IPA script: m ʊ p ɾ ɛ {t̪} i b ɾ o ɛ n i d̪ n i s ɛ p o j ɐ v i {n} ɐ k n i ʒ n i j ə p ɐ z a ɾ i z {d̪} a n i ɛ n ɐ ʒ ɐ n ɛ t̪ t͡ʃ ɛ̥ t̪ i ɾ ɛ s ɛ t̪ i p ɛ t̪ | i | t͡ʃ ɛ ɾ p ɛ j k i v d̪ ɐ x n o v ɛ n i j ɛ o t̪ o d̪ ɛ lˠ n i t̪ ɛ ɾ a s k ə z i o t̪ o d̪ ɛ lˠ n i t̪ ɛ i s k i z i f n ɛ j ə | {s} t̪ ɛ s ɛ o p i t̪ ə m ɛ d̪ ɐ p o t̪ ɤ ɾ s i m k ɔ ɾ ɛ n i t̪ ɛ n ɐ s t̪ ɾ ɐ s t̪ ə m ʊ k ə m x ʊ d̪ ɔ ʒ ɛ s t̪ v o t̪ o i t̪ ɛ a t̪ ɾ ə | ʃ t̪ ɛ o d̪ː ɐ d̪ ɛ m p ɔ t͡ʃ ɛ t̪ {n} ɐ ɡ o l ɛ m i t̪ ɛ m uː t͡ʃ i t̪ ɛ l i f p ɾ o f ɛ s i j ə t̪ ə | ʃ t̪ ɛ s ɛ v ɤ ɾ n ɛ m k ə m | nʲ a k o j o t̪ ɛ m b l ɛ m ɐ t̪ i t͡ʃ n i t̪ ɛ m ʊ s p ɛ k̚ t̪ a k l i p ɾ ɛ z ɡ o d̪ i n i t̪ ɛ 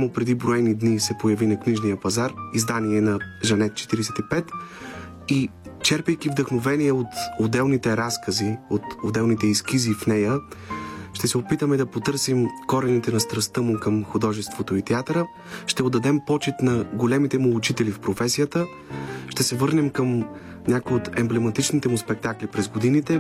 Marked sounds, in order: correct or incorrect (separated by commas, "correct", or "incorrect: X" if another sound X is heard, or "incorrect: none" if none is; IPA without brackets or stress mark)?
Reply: incorrect: d̪, correct, correct, incorrect: ʃ, correct